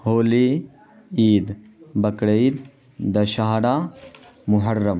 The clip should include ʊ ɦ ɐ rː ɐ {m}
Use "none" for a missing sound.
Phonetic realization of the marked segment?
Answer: m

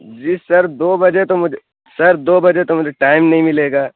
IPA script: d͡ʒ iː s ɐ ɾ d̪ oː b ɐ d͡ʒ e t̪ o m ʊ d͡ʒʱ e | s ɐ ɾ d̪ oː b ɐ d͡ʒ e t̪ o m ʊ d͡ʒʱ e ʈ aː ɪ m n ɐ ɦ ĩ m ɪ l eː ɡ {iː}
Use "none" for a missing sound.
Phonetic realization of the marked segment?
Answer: aː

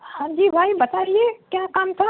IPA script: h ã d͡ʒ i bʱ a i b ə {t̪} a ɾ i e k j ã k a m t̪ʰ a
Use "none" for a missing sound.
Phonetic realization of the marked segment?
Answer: t̪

